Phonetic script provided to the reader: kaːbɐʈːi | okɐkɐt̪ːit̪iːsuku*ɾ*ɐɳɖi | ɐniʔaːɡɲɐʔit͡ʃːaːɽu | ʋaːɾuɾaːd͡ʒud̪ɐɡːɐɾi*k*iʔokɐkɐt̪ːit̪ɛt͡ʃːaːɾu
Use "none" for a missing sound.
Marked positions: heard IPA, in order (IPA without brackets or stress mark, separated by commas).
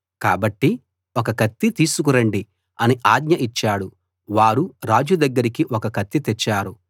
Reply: ɾ, k